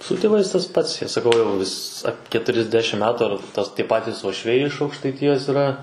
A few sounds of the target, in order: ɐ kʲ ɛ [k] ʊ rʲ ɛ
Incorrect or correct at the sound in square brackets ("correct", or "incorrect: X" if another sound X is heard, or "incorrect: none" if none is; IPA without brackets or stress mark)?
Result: incorrect: t